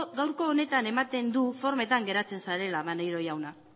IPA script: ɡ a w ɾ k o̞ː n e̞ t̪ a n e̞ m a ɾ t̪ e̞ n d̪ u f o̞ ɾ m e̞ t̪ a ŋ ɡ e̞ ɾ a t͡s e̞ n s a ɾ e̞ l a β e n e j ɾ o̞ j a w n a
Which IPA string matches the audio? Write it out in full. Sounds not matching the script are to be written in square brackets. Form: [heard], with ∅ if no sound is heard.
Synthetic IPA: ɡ a w ɾ k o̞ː n e̞ t̪ a n e̞ m a [∅] t̪ e̞ n d̪ u f o̞ ɾ m e̞ t̪ a ŋ ɡ e̞ ɾ a t͡s e̞ n s a ɾ e̞ l a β [a] n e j ɾ o̞ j a w n a